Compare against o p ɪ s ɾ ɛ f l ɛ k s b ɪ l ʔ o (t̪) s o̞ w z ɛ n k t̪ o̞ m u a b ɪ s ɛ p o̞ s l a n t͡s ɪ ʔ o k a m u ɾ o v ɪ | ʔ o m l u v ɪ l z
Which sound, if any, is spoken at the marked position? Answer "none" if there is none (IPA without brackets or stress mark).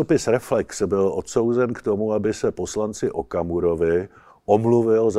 t̪